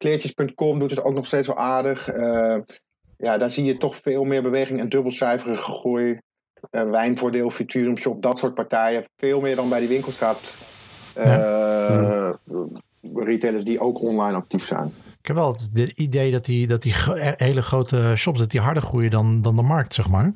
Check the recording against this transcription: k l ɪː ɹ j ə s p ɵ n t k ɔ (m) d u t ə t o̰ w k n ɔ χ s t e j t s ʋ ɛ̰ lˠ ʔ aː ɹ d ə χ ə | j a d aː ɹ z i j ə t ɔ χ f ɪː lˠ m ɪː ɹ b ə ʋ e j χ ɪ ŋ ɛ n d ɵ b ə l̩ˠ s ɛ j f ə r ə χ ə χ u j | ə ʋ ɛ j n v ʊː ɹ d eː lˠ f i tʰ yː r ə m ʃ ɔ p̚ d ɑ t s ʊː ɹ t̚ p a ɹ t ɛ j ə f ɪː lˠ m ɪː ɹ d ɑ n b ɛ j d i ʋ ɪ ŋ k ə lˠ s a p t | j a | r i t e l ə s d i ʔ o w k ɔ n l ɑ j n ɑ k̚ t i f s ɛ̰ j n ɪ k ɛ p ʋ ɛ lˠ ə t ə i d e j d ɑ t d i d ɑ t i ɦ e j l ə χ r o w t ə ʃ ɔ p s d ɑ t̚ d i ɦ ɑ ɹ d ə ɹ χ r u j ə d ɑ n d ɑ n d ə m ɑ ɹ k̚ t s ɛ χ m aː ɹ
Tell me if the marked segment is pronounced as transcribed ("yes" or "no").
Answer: yes